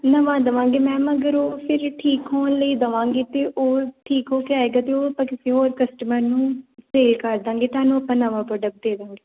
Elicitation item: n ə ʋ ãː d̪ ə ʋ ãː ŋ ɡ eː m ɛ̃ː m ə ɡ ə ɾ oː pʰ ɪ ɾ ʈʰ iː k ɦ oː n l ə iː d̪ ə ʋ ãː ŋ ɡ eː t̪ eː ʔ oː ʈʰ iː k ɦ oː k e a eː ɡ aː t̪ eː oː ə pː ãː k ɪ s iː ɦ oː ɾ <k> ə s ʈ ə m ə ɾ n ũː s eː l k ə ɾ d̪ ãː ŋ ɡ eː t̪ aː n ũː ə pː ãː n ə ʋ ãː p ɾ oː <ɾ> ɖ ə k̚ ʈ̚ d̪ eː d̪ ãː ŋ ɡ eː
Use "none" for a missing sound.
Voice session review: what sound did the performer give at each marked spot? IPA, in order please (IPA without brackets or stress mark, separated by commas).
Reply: k, none